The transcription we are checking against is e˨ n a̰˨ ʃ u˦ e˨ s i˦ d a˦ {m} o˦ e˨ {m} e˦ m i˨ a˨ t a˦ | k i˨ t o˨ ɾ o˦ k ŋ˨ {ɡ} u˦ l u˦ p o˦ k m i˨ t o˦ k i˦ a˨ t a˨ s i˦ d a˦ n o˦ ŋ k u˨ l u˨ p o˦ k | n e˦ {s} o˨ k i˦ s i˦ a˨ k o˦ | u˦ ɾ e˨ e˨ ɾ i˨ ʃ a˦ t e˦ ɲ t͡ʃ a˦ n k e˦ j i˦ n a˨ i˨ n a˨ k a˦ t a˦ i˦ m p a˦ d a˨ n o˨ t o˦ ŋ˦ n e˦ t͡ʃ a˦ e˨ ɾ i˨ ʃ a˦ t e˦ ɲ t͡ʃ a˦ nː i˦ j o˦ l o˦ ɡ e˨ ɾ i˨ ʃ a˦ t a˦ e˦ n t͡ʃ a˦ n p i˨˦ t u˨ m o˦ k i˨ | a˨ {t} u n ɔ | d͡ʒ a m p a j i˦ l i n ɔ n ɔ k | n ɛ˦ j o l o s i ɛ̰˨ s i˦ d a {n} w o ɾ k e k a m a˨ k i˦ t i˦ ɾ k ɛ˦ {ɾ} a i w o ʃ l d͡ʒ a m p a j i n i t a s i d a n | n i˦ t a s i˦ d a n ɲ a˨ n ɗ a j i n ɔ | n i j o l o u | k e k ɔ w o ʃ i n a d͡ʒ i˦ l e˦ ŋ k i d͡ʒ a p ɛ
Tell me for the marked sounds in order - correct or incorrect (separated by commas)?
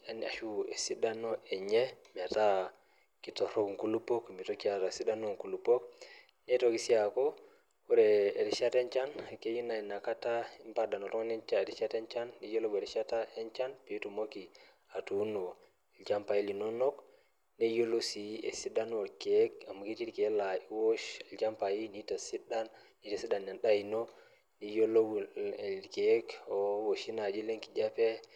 incorrect, incorrect, incorrect, incorrect, correct, correct, incorrect